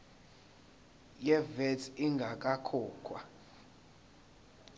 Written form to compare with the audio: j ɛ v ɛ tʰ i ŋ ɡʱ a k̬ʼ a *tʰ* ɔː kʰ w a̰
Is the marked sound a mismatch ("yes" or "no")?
yes